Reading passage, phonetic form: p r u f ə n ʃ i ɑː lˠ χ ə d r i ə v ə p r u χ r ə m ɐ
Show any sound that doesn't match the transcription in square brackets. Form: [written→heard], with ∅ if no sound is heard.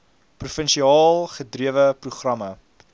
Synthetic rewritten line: p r u f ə n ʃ i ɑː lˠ χ ə d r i ə v ə p r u χ r [ə→ɐ] m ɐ